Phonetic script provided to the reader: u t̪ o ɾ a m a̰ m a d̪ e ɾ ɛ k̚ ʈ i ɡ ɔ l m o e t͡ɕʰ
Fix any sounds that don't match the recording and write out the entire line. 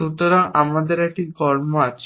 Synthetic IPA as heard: u t̪ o ɾ a ŋ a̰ m a d̪ e ɾ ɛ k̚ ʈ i ɡ ɔ ɾ m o a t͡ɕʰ